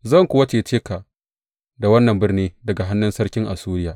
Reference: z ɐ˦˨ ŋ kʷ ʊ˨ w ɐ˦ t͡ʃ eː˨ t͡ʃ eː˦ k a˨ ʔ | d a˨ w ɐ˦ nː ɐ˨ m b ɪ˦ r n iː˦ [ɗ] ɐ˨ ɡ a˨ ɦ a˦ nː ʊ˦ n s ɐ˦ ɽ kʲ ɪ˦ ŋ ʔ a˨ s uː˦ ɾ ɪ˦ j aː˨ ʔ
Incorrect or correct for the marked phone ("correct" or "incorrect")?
incorrect